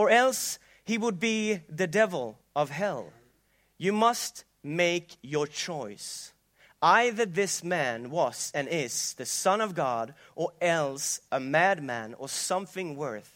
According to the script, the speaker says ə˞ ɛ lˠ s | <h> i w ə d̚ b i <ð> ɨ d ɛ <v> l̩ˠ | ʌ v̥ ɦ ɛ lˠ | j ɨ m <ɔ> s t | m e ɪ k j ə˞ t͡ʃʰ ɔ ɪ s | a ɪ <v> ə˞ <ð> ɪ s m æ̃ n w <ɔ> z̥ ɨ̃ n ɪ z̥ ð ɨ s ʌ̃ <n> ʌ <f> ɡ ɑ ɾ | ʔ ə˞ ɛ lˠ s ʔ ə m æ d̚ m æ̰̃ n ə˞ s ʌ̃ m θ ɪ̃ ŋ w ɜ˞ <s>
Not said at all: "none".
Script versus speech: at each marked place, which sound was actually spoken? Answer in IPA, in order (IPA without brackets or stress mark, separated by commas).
h, ð, v, ʌ, ð, ð, ʌ, n, v, θ